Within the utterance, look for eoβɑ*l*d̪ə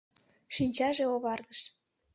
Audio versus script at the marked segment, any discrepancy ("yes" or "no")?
yes